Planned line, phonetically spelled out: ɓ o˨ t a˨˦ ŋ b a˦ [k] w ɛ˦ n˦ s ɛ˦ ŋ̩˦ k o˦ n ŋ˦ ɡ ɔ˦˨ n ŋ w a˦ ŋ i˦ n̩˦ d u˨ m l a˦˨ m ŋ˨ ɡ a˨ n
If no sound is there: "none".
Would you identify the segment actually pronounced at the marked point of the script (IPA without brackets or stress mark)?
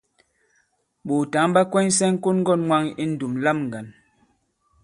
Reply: k